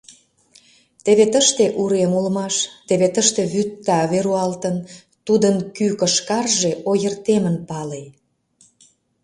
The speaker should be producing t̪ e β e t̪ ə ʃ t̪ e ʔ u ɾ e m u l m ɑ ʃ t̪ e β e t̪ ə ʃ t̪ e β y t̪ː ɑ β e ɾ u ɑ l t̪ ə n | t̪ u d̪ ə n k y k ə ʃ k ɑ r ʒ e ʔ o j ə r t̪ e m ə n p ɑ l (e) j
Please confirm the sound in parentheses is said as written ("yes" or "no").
yes